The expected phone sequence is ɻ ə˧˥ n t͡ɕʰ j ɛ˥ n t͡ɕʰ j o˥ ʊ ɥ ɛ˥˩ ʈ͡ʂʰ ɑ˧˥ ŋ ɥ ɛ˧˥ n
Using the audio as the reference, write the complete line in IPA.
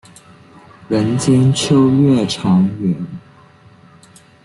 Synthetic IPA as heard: ɻ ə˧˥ n t͡ɕ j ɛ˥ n t͡ɕʰ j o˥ ʊ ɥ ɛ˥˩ ʈ͡ʂʰ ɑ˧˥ ŋ ɥ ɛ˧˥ n